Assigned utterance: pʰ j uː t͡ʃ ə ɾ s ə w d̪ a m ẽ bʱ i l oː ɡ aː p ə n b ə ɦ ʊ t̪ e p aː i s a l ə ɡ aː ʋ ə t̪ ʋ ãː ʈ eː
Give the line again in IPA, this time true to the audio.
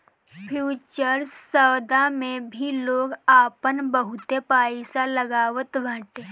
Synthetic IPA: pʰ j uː t͡ʃ ə ɾ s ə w d̪ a m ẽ bʱ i l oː ɡ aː p ə n b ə ɦ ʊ t̪ e p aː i s a l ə ɡ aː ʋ ə t̪ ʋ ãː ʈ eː